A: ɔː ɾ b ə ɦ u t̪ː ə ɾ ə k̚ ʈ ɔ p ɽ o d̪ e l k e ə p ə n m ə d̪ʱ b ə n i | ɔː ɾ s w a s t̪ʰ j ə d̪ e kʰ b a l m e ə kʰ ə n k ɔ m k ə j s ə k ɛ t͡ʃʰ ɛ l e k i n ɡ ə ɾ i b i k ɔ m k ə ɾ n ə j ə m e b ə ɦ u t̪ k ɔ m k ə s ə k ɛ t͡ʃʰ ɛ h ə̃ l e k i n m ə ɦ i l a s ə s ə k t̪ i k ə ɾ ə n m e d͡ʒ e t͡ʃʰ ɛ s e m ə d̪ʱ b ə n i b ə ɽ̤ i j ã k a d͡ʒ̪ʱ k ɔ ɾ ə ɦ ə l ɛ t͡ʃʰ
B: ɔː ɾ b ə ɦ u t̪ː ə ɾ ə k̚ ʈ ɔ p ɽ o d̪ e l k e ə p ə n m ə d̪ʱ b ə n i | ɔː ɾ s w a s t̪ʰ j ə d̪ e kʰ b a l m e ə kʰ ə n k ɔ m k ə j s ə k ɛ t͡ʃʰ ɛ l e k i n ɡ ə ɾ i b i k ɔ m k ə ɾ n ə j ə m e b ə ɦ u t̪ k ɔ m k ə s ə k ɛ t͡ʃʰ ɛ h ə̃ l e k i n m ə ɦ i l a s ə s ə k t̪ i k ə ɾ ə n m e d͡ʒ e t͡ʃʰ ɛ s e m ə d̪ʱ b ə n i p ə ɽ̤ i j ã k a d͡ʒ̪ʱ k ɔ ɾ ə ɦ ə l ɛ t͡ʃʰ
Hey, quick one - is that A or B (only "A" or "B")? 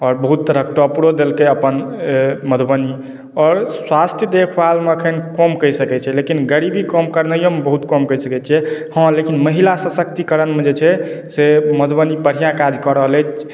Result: B